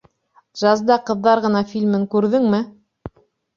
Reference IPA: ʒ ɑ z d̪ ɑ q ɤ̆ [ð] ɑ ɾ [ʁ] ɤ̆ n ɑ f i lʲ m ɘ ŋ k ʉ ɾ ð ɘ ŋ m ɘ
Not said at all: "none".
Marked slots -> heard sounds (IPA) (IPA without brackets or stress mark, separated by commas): ðː, ʁ